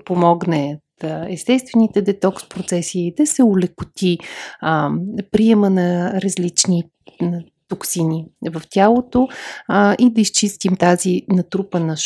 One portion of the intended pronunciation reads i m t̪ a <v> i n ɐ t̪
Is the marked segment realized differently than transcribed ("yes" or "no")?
yes